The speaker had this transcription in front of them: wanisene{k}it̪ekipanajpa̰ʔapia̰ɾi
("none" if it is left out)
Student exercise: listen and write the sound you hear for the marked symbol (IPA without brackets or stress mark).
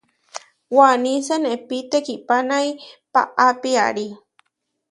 p